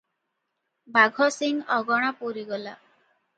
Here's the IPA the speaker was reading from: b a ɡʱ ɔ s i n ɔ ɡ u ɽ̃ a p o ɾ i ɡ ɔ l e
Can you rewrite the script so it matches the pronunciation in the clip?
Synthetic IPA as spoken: b a ɡʱ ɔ s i ŋ ɔ ɡ ɔ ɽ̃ a p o ɾ i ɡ ɔ l a